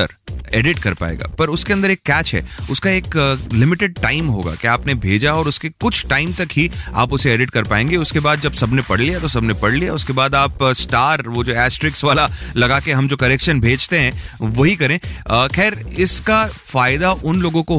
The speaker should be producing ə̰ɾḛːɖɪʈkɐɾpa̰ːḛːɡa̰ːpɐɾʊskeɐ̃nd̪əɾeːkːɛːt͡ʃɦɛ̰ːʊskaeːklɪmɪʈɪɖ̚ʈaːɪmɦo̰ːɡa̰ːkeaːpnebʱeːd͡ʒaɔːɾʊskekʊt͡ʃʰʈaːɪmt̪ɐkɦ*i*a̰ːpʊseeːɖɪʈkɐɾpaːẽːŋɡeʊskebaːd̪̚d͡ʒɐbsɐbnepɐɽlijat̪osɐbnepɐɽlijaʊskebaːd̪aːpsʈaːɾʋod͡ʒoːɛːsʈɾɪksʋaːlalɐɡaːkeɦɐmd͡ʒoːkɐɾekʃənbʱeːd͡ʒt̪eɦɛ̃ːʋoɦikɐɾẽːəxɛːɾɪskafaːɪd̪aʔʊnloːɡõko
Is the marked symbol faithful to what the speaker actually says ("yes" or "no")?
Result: yes